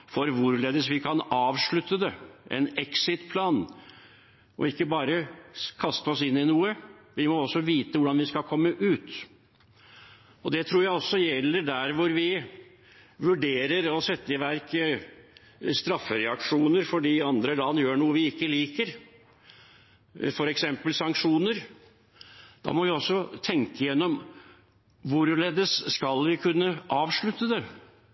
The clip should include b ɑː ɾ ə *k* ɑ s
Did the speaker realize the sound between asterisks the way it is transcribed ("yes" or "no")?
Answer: no